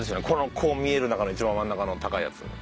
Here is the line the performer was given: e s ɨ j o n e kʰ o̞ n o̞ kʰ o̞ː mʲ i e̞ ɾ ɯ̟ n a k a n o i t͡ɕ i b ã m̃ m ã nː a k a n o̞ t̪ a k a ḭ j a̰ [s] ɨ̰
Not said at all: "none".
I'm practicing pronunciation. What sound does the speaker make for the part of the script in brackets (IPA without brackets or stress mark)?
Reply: t͡s